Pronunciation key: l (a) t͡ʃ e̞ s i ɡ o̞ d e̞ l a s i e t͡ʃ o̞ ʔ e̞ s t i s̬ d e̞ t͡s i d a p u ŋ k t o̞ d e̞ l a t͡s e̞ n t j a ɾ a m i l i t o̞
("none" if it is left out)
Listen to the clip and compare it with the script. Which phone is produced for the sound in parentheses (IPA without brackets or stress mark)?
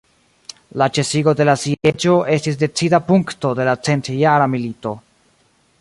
a